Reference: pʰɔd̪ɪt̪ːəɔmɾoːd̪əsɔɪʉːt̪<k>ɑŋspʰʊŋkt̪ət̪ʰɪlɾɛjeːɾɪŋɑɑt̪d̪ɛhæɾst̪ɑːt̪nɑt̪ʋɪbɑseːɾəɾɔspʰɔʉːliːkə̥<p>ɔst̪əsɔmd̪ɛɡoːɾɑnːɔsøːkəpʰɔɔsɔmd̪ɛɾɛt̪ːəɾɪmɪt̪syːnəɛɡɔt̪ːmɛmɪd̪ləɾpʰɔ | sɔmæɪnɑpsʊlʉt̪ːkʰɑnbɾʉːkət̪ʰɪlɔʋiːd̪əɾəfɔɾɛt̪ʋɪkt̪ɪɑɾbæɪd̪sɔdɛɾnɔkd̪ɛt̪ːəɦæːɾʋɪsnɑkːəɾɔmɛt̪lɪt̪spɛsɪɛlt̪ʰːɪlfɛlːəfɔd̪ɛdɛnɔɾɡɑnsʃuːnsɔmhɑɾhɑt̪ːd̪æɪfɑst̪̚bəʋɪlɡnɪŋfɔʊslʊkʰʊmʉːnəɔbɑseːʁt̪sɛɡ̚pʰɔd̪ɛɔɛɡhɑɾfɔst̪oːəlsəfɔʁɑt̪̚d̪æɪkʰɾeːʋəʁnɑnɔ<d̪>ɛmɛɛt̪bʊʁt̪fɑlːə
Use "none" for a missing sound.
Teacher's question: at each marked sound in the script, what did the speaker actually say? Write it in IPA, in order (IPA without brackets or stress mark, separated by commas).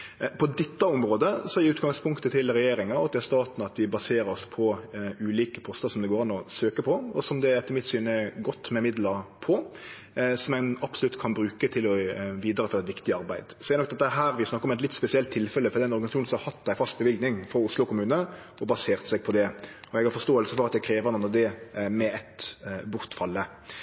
ɡ, pʰ, d̪